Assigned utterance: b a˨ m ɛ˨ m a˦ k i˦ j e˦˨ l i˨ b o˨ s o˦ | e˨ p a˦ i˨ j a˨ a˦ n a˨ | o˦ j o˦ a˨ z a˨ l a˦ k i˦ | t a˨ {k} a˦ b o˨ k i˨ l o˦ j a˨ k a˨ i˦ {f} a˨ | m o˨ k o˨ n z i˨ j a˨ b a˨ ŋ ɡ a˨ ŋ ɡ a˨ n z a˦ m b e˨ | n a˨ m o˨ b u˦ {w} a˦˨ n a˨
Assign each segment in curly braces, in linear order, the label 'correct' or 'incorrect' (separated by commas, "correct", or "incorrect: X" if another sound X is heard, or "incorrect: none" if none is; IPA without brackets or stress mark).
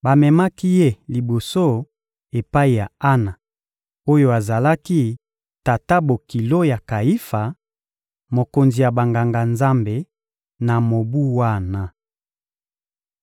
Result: incorrect: t, correct, correct